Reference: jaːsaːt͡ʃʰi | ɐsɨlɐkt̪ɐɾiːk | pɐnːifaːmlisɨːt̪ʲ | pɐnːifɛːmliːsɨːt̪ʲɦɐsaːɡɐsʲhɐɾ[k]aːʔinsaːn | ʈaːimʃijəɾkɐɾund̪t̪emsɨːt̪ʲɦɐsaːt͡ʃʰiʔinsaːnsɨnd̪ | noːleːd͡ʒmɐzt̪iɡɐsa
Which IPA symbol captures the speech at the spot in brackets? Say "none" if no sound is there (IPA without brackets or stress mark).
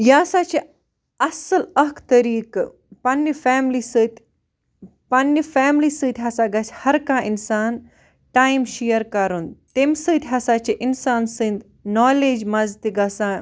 k